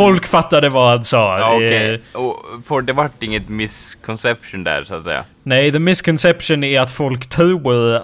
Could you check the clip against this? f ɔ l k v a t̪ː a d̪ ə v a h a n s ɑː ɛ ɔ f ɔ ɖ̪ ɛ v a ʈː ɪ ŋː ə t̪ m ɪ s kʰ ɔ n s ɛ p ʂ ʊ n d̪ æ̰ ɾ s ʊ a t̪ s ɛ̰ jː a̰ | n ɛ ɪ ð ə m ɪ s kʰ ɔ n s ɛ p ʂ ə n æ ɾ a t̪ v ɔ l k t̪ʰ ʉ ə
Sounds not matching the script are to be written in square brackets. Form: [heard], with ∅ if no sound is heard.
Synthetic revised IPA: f ɔ l k [f] a t̪ː a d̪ ə v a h a n s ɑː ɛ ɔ f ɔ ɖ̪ ɛ v a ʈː ɪ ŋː ə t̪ m ɪ s kʰ ɔ n s ɛ p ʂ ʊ n d̪ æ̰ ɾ s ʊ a t̪ s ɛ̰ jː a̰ | n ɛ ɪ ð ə m ɪ s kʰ ɔ n s ɛ p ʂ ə n æ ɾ a t̪ [f] ɔ l k t̪ʰ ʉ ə